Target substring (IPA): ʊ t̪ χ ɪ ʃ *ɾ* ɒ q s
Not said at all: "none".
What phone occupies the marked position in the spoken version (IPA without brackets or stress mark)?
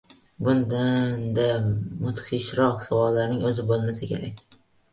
ɾ